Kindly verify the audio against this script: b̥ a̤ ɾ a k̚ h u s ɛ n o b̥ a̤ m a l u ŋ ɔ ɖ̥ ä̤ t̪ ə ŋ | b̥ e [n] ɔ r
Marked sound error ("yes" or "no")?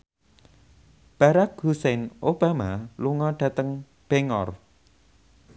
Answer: yes